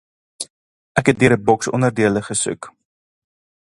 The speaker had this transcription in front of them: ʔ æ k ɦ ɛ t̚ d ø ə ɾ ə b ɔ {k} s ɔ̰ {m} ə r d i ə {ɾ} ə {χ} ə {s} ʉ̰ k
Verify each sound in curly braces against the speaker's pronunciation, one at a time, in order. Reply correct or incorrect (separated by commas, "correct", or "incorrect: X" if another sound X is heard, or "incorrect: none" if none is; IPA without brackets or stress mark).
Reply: correct, incorrect: n, incorrect: l, correct, correct